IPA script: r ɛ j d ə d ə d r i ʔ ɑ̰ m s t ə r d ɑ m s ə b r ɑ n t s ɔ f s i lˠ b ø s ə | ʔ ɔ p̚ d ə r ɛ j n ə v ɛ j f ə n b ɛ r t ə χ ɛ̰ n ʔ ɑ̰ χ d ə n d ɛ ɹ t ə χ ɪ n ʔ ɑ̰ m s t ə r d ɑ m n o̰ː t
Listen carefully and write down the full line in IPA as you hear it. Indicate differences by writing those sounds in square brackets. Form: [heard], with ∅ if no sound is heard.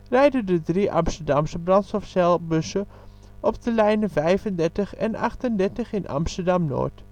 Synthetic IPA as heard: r ɛ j d ə d ə d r i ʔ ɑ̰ m s t ə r d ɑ m s ə b r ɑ n t s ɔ f s [ɛ] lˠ b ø s ə | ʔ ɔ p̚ d ə [l] ɛ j n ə v ɛ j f ə n [d] ɛ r t ə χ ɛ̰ n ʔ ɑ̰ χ [t] ə n d ɛ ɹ t ə χ ɪ n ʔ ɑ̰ m s t ə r d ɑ m n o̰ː t